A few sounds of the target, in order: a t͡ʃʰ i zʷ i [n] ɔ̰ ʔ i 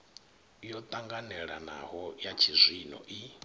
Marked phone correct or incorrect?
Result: correct